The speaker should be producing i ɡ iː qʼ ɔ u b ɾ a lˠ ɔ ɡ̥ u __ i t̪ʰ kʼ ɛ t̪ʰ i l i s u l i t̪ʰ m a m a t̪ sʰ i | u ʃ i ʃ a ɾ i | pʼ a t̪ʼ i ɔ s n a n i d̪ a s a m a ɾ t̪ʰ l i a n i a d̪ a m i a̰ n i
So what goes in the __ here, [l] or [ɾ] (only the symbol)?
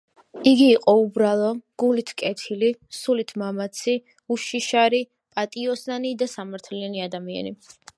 l